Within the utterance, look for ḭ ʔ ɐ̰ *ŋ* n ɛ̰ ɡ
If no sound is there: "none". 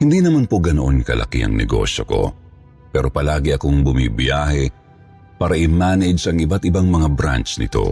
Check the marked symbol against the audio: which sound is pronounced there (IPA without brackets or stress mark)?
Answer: ŋ